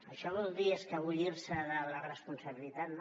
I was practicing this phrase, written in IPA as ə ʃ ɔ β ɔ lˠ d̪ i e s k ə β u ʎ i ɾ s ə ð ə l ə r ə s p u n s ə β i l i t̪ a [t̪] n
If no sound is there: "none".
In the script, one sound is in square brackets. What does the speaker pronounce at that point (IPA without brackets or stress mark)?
t̪